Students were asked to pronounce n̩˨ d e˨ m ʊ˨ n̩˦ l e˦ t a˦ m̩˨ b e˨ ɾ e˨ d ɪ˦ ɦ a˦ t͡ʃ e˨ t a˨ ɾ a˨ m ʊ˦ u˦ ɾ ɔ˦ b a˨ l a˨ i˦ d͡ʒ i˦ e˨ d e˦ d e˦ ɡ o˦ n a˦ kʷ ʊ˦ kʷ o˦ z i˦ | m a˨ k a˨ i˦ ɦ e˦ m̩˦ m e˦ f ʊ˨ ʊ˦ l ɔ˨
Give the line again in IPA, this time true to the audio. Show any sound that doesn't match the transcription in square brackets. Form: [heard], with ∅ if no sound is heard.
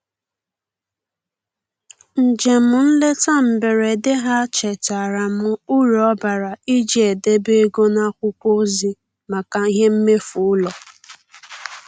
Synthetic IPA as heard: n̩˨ [d͡ʒ] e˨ m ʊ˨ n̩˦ l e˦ t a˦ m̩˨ b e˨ ɾ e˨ d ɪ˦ ɦ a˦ t͡ʃ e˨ t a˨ ɾ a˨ m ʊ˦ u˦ ɾ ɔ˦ b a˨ [ɾ] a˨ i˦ d͡ʒ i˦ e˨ d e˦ [b] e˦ ɡ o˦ n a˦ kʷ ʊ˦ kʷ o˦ z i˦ | m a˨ k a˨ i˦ ɦ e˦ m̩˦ m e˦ f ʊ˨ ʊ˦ l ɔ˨